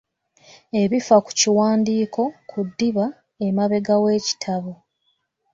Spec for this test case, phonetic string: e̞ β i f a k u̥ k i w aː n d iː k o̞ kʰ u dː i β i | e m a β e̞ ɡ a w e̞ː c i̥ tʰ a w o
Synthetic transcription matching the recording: e̞ β i f a k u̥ c i w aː n d iː k o̞ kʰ u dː i β a | e m a β e̞ ɡ a w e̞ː c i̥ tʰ a β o

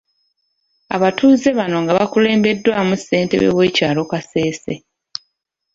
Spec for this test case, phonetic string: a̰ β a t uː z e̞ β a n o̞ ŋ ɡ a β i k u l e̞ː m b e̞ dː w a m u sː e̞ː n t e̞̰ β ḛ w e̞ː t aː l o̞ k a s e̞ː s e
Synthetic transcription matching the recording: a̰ β a t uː z e̞ β a n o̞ ŋ ɡ a β a k u l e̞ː m b e̞ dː w a m u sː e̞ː n t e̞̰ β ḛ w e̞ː c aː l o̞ k a s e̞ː s e

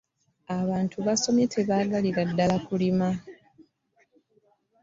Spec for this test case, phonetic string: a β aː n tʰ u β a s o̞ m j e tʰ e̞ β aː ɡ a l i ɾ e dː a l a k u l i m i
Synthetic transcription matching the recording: a β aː n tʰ u β a s o̞ m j e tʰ e̞ β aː ɡ a l i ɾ a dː a l a k u l i m a

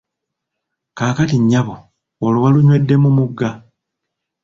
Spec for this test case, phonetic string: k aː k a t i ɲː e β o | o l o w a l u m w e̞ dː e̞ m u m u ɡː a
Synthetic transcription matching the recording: k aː k a t i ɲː a β o | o l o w a l u ɲ w e̞ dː e̞ m u m u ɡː a

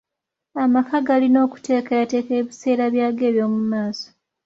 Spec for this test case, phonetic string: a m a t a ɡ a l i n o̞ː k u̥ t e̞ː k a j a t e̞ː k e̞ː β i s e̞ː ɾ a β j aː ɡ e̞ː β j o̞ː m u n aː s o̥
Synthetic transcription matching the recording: a m a k a ɡ a l i n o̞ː k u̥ t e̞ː k a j a t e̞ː k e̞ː β i s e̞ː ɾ a β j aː ɡ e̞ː β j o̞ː m u m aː s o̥

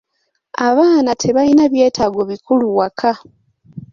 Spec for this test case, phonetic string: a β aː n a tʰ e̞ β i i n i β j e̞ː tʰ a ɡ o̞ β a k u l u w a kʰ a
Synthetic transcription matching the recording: a β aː n a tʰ e̞ β a i n a β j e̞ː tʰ a ɡ o̞ β i k u l u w a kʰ a

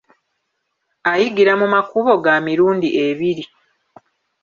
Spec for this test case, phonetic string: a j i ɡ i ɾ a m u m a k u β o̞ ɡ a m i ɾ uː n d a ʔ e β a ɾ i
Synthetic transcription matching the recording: a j i ɡ i ɾ a m u m a k u β o̞ ɡ a m i ɾ uː n d i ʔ e β i ɾ i

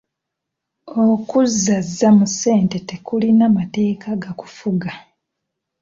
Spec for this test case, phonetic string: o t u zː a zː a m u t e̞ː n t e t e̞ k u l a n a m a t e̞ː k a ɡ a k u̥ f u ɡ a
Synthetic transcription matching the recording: o k u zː a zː a m u s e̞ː n t e t e̞ k u l i n a m a t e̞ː k a ɡ a k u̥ f u ɡ a

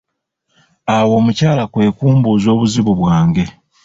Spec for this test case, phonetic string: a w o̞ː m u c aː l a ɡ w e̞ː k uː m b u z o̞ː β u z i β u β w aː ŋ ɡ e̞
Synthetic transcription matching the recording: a w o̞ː m u c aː l a k w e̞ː k uː m b u z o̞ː β u z i β u β w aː ŋ ɡ e̞

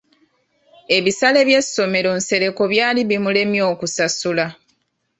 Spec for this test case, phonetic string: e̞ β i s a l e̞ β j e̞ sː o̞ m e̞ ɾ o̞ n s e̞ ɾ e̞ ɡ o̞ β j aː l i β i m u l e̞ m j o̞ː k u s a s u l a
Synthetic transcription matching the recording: e̞ β i s a l e̞ β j e̞ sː o̞ m e̞ ɾ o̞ n s e̞ ɾ e̞ k o̞ β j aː l i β i m u l e̞ m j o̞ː k u s a s u l a

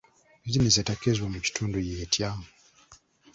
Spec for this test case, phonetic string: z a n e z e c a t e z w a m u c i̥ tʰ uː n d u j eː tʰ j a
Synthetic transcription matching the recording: z i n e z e t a k e z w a m u c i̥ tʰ uː n d u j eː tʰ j a

